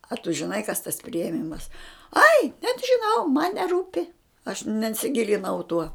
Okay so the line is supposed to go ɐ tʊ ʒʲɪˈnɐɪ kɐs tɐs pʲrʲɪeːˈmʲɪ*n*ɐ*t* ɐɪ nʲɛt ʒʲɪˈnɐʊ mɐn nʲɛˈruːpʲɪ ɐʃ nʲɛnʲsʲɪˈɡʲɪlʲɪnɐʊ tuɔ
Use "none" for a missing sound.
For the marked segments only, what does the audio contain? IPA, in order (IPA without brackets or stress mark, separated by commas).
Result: m, s